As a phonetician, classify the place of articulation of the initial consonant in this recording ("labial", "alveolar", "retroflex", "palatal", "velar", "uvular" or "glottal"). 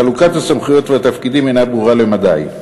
alveolar